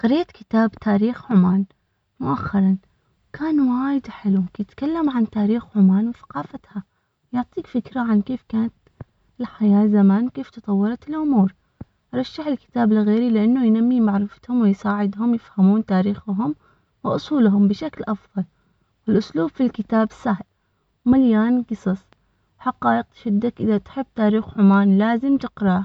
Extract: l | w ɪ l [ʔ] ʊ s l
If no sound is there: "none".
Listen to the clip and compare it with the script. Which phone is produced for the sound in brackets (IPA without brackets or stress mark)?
ʔ